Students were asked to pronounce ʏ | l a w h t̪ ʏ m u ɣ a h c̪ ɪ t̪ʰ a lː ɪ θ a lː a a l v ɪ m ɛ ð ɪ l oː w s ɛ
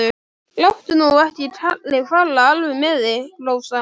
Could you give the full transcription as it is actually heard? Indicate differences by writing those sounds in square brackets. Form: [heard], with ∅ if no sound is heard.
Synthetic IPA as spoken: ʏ | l a w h t̪ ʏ [n] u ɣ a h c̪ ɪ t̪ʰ a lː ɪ [f] a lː a a l v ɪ m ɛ ð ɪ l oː w s [a]